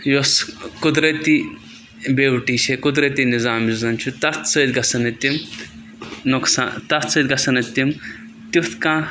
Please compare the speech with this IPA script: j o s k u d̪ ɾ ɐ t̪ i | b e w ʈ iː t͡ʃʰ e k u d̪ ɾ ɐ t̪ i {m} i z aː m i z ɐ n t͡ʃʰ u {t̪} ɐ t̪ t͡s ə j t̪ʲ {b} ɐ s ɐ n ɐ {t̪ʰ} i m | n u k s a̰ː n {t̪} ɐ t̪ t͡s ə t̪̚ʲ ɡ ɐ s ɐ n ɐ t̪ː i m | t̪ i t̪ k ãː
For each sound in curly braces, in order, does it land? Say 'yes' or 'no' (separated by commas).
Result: no, yes, no, no, yes